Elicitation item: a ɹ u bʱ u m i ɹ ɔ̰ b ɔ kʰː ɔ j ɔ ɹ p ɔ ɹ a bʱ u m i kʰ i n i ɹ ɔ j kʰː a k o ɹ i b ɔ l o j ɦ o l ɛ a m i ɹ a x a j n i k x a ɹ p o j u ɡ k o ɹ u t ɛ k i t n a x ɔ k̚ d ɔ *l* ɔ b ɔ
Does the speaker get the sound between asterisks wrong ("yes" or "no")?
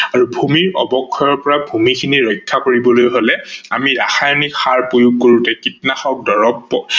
yes